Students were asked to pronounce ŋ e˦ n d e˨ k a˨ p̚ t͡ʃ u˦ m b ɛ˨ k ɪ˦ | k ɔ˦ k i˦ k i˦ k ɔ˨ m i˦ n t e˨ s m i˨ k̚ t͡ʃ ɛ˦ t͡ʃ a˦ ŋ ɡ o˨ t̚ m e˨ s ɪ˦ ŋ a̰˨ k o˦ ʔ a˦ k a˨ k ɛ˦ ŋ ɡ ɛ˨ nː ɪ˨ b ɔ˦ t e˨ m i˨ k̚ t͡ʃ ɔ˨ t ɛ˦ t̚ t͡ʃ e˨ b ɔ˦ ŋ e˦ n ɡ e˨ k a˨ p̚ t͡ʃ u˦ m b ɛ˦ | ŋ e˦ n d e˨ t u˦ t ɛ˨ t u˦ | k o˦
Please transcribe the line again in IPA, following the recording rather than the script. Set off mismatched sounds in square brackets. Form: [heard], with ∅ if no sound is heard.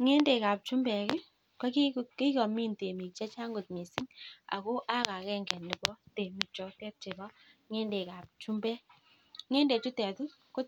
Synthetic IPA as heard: ŋ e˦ n d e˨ k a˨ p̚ t͡ʃ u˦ m b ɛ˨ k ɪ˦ | k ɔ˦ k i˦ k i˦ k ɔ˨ m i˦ n t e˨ [∅] m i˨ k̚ t͡ʃ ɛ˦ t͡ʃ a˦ ŋ ɡ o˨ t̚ m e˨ s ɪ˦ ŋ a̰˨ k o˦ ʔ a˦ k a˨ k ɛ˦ ŋ ɡ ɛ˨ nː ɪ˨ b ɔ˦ t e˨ m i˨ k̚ t͡ʃ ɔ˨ t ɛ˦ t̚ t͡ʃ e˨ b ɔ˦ ŋ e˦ n [d] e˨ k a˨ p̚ t͡ʃ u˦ m b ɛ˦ | ŋ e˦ n d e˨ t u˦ t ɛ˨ t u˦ | k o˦